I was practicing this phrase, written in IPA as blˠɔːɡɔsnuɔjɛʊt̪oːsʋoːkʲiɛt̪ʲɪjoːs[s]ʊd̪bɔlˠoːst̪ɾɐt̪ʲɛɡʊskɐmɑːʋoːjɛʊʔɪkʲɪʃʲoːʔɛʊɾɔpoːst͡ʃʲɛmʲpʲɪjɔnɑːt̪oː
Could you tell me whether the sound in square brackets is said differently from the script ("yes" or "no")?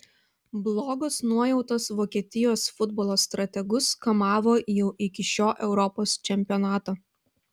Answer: yes